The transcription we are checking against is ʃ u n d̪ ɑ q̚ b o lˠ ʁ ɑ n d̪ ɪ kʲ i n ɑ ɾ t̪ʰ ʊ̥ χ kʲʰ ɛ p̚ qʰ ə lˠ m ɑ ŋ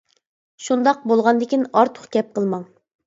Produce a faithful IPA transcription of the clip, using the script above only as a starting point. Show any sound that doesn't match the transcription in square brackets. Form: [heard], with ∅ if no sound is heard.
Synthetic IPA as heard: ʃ u n d̪ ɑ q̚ b o lˠ ʁ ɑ n d̪ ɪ kʲ i n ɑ ɾ t̪ʰ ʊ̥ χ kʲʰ ɛ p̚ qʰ ə lˠ m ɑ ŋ